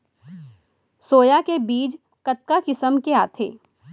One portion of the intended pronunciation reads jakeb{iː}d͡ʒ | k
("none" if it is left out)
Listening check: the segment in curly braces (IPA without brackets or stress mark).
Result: iː